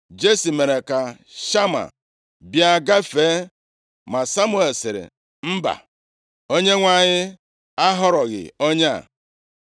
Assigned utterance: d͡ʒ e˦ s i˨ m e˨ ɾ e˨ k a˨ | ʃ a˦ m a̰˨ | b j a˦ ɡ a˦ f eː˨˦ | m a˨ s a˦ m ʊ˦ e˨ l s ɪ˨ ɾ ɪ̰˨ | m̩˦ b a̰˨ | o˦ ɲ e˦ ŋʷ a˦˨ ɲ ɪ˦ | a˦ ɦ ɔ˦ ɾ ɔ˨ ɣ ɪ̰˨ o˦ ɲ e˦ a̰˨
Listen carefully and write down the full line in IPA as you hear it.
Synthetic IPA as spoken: d͡ʒ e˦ s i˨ m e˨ ɾ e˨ k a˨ | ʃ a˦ m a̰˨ | b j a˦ ɡ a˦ f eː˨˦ | m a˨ s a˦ m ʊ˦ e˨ l s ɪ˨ ɾ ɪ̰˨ | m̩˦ b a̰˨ | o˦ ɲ e˦ ŋʷ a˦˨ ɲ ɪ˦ | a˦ ɦ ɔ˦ ɾ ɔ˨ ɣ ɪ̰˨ o˦ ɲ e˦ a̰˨